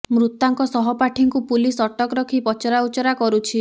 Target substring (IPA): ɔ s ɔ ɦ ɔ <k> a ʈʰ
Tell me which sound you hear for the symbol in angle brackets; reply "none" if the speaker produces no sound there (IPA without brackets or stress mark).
p